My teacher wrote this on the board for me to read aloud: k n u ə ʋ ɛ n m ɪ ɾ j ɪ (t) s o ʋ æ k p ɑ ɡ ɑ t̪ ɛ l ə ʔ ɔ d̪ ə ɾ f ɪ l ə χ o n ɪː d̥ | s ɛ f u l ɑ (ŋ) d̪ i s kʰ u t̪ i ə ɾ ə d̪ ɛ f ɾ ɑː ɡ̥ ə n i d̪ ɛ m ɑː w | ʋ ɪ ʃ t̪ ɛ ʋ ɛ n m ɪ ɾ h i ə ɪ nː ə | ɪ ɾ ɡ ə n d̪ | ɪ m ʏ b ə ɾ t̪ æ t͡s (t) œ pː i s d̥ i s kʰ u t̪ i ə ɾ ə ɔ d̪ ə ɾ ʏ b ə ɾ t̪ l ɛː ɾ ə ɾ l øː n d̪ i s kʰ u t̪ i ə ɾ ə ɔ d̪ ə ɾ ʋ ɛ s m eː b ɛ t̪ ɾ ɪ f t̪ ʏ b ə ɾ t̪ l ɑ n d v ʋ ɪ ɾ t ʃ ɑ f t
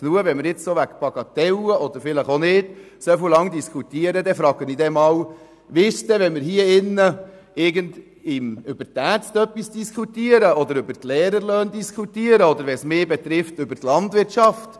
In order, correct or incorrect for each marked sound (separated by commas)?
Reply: incorrect, correct, correct